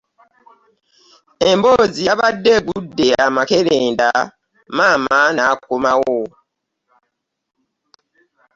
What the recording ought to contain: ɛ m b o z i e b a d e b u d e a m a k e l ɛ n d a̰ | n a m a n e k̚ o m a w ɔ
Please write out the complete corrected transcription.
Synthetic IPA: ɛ m b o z i a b a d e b u d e a m a k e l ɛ n d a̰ | m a m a n a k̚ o m a w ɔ